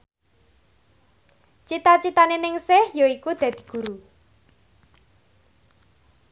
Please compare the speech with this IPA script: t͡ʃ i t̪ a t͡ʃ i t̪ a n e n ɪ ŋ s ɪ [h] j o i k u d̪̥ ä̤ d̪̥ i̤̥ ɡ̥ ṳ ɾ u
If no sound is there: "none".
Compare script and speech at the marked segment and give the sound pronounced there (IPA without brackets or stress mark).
h